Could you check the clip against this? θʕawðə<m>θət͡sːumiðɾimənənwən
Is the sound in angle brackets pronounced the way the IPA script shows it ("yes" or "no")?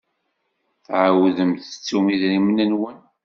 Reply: yes